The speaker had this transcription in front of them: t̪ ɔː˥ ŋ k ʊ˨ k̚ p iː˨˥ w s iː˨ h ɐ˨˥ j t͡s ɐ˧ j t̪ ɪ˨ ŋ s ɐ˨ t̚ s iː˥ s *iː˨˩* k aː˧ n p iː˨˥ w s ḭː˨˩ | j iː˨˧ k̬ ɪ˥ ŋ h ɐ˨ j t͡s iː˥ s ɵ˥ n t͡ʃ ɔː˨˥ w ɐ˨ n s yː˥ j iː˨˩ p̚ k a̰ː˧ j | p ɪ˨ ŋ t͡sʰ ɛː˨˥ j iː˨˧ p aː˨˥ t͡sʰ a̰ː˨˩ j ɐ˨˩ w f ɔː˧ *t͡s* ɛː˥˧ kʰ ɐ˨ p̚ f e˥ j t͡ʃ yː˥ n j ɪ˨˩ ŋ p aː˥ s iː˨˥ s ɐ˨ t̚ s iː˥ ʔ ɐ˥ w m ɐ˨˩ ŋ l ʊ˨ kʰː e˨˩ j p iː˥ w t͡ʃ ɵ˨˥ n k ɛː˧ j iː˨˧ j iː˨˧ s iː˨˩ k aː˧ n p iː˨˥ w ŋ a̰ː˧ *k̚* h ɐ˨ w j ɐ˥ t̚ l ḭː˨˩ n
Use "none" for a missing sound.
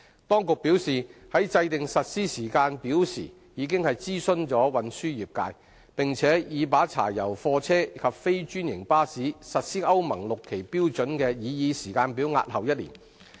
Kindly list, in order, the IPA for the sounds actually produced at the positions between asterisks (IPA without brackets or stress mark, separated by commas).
iː˨˩, t͡sʰ, t̚